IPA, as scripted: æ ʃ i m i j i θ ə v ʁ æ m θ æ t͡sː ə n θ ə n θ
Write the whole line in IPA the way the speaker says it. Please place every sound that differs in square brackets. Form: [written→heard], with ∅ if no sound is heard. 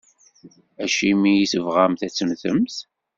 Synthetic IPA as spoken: æ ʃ i m i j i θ ə v ʁ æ m θ æ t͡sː ə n θ ə [n→m] θ